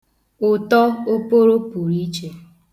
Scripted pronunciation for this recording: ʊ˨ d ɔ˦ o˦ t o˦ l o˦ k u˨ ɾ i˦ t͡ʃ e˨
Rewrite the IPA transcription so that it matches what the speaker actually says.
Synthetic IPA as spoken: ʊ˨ t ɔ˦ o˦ p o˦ ɾ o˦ p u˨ ɾ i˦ t͡ʃ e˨